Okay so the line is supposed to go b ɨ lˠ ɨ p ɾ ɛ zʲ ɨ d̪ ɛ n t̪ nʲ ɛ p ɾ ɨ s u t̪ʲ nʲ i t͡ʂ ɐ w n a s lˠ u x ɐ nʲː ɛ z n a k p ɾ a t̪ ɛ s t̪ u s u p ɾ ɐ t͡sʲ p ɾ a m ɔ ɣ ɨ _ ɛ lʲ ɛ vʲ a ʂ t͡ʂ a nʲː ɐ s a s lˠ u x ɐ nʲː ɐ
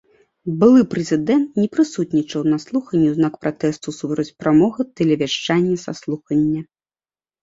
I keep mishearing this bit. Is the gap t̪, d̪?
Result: t̪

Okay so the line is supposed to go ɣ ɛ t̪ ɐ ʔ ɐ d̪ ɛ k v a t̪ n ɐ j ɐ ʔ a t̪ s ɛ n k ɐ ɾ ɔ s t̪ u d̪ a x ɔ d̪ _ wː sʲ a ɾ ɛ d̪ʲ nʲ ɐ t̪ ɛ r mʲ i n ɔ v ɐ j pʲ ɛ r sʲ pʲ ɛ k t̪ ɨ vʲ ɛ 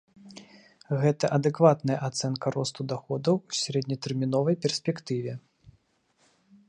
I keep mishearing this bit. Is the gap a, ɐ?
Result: ɐ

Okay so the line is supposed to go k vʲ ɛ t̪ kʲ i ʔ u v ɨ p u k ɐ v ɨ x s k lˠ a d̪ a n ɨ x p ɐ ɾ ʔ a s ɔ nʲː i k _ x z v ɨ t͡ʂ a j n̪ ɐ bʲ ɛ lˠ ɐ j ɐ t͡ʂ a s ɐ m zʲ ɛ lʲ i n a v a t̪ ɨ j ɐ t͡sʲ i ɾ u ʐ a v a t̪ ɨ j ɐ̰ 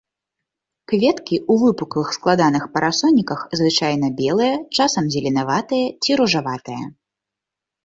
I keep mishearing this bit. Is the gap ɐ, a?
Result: ɐ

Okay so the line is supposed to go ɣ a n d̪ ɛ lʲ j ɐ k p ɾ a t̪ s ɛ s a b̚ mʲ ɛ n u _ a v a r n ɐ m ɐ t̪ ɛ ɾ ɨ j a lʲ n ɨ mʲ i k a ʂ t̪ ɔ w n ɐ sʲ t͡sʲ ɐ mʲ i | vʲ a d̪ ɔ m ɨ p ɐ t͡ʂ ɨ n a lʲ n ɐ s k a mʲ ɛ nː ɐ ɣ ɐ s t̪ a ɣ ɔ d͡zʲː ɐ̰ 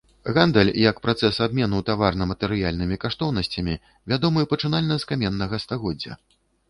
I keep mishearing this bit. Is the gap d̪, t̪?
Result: t̪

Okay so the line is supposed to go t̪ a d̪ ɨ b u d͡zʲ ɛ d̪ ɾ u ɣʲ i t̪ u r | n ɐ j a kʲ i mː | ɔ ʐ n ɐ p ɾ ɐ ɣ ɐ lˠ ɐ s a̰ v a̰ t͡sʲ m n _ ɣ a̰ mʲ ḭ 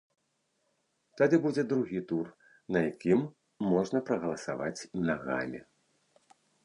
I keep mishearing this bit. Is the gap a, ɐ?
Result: a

